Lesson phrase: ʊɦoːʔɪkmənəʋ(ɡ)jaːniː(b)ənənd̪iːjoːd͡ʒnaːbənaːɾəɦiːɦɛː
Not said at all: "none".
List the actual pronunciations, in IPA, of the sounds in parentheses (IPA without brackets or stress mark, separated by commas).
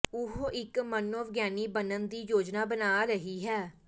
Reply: ɡ, b